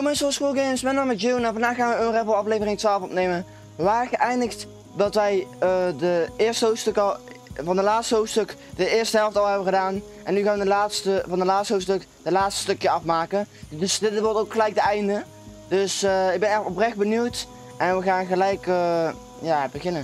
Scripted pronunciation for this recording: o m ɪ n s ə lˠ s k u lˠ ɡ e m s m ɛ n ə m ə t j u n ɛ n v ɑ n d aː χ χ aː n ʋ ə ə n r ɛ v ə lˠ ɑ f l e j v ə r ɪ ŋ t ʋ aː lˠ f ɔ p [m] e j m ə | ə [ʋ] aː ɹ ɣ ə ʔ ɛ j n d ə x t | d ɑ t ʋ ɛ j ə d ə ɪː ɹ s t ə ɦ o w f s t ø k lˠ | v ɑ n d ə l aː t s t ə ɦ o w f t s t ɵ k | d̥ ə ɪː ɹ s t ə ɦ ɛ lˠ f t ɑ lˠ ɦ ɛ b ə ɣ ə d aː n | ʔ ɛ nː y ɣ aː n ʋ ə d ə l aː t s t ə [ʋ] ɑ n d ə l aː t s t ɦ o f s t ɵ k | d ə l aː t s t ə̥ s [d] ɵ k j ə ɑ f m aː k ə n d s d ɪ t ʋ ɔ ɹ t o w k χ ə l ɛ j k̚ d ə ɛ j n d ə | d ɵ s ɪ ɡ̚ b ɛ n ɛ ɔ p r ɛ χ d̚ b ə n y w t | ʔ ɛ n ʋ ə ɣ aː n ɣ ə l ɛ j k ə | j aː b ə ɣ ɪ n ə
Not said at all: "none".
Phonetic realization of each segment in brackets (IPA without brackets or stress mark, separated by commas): n, ʋ, v, t